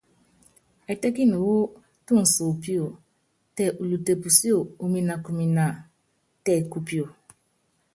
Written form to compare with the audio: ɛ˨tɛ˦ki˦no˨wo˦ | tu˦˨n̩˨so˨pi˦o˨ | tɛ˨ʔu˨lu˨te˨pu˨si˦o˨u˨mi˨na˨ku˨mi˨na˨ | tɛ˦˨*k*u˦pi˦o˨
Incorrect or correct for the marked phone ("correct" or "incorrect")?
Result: correct